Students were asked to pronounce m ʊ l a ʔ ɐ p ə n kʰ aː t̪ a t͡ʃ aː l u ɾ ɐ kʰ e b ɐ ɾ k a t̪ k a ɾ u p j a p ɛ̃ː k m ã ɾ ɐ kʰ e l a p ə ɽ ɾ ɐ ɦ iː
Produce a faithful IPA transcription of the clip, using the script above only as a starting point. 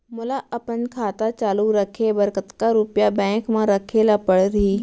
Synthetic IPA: m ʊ l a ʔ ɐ p ə n kʰ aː t̪ a t͡ʃ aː l u ɾ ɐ kʰ e b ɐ ɾ k ə t̪ k a ɾ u p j a b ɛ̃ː k m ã ɾ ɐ kʰ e l a p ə ɽ ɾ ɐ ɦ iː

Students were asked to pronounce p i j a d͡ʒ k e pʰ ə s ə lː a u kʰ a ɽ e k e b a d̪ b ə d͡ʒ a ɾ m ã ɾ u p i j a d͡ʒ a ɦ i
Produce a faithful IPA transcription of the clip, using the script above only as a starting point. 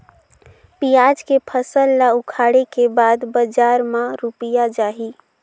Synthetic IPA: p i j a d͡ʒ k e pʰ ə s ə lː a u kʰ a ɽ e k e b a d̪ b ə d͡ʒ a ɾ m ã ɾ u p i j a d͡ʒ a ɦ i

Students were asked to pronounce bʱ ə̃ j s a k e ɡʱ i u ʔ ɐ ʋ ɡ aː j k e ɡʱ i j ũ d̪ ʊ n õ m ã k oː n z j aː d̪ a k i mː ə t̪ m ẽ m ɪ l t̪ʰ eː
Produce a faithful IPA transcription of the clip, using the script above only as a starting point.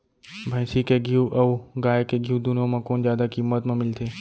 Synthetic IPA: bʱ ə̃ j s i k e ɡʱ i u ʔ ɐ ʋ ɡ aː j k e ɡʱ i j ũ d̪ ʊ n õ m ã k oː n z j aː d̪ a k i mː ə t̪ m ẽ m ɪ l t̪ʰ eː

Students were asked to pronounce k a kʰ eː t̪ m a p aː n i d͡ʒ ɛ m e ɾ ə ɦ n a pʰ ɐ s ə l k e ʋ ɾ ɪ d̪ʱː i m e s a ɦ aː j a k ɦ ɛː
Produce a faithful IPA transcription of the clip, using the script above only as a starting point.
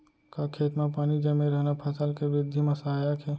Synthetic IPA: k a kʰ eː t̪ m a p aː n i d͡ʒ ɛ m e ɾ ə ɦ n a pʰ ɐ s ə l k e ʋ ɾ ɪ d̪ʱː i m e s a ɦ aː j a k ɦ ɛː

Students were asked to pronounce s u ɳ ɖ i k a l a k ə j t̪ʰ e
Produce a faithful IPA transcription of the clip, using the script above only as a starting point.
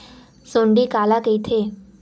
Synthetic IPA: s o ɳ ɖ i k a l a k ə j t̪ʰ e

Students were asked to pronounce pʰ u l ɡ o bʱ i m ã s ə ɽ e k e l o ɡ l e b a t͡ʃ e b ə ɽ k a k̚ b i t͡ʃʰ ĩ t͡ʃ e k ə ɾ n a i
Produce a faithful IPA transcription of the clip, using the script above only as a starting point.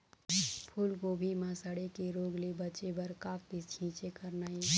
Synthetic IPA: pʰ u l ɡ o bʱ i m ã s ə ɽ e k e ɾ o ɡ l e b ə t͡ʃ e b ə ɾ k a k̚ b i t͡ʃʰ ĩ t͡ʃ e k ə ɾ n a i

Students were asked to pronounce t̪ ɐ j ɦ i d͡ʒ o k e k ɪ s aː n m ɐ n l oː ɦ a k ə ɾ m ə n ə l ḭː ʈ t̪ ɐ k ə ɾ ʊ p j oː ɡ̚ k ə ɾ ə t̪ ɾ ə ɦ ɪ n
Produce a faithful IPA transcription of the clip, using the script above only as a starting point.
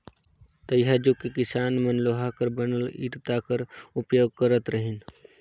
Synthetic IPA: t̪ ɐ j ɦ a d͡ʒ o k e k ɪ s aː n m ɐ n l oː ɦ a k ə ɾ b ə n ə l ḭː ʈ t̪ a k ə ɾ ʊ p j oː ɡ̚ k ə ɾ ə t̪ ɾ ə ɦ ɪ n

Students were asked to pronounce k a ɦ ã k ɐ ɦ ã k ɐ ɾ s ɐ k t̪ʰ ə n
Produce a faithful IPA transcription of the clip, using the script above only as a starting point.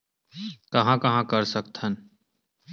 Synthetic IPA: k ɐ ɦ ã k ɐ ɦ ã k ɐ ɾ s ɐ k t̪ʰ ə n

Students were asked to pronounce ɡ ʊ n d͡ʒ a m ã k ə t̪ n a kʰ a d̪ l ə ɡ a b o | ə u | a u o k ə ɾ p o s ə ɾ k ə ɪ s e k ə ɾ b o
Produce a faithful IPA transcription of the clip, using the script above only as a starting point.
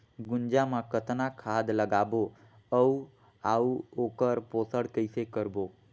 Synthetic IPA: ɡ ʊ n d͡ʒ a m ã k ə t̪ n a kʰ a d̪ l ə ɡ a b o | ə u | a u o k ə ɾ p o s ə ɽ k ə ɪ s e k ə ɾ b o

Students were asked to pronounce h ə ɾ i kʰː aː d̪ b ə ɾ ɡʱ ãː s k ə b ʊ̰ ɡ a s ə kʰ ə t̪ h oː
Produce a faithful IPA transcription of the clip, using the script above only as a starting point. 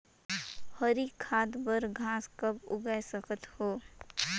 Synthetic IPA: h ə ɾ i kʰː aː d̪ b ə ɾ ɡʱ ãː s k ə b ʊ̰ ɡ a s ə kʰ ə t̪ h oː

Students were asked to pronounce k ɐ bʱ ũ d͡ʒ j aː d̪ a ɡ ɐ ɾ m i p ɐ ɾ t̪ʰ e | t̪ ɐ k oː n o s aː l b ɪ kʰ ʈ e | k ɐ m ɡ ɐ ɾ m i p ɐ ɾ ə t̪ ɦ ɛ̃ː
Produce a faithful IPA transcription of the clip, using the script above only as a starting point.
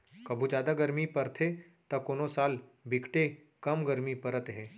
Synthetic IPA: k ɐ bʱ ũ d͡ʒ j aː d̪ a ɡ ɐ ɾ m i p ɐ ɾ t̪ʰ e | t̪ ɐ k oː n o s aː l b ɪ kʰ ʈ e | k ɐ m ɡ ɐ ɾ m i p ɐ ɾ ə t̪ ɦ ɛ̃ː

